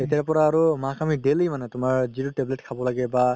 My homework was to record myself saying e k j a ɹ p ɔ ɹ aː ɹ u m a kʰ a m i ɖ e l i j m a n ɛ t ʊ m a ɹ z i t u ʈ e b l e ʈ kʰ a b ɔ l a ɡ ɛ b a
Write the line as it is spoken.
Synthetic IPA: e t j a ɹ p ɔ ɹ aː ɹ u m a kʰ a m i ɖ e l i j m a n ɛ t ʊ m a ɹ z i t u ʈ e b l e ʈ kʰ a b ɔ l a ɡ ɛ b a